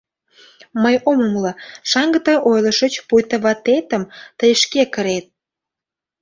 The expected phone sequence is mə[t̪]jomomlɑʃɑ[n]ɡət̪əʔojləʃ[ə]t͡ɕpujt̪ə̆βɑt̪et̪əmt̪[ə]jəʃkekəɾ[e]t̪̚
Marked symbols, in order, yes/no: no, no, yes, yes, yes

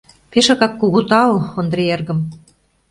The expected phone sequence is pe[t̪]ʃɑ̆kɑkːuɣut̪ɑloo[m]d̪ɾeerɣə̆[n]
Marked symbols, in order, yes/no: no, no, no

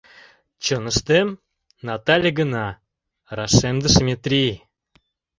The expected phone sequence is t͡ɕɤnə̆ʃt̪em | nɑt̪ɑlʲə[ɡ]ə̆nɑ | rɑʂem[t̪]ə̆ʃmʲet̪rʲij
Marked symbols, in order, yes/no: yes, no

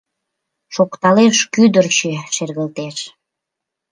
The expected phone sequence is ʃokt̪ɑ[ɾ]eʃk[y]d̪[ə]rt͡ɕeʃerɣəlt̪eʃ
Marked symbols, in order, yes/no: no, yes, yes

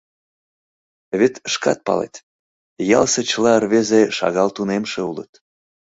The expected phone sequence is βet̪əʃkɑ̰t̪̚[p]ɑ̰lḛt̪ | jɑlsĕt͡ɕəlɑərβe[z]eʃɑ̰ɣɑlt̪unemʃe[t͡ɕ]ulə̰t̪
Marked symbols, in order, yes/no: yes, yes, no

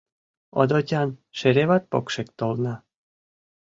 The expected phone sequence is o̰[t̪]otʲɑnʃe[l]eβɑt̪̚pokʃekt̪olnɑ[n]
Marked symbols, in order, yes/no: no, no, no

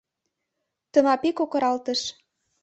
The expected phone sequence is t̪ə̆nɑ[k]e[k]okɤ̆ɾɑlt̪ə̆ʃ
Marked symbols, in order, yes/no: no, yes

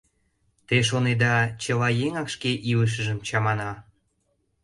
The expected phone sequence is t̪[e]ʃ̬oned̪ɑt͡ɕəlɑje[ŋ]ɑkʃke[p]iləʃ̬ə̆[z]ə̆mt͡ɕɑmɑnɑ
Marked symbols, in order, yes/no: yes, yes, no, no

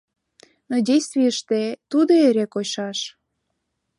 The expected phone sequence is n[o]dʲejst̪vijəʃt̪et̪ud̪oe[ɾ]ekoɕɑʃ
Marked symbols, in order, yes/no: yes, yes

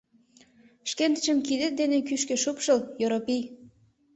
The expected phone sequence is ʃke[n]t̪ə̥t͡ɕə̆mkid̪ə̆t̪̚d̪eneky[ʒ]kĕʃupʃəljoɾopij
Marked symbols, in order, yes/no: yes, no

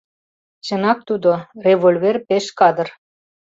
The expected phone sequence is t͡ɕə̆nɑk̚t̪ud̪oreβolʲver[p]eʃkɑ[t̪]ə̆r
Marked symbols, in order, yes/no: yes, no

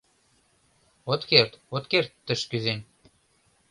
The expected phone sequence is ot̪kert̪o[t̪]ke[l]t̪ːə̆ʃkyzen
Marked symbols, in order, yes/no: yes, no

